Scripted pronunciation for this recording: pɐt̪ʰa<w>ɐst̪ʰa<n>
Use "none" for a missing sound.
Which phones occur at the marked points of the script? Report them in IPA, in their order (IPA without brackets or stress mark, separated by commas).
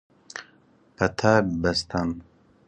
b, n